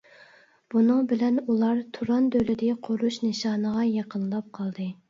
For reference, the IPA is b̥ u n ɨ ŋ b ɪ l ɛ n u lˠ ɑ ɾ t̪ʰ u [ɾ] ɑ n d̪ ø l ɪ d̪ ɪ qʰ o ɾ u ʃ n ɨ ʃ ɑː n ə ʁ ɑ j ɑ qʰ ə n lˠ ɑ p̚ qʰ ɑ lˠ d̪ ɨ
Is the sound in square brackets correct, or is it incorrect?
correct